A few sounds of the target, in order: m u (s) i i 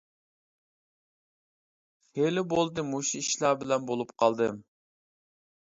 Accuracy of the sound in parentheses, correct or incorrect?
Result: incorrect